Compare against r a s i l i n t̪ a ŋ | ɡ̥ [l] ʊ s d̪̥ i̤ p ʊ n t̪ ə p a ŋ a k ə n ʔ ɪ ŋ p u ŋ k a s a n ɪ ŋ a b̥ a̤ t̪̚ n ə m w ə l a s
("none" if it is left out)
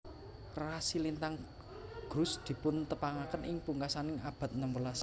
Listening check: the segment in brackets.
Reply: ɾ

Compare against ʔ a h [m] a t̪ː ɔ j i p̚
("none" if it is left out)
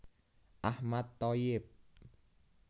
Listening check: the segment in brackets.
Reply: m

